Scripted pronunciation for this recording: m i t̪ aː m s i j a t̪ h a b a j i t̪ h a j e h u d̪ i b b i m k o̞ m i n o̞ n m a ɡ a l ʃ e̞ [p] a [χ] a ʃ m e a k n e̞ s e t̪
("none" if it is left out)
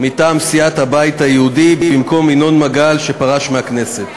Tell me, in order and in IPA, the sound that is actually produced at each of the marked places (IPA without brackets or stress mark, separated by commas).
p, ʁ